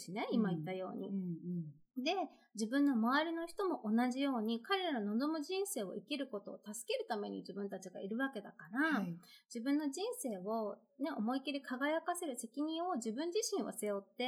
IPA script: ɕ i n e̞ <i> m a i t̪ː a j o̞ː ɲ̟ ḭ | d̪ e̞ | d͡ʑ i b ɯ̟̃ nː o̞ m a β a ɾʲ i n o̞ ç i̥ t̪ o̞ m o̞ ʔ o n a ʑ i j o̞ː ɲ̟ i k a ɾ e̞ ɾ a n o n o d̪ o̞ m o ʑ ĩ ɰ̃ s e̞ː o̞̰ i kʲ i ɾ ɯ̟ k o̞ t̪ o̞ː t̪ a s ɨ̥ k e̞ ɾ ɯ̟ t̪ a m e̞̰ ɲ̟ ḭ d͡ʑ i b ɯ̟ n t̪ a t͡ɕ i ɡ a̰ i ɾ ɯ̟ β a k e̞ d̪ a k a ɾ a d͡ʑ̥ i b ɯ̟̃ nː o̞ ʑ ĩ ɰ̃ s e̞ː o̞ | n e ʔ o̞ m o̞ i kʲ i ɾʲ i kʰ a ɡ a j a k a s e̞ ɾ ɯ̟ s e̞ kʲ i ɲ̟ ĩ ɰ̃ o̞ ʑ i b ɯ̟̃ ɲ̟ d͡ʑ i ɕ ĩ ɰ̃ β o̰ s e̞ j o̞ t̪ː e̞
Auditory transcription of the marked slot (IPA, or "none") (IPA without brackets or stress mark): i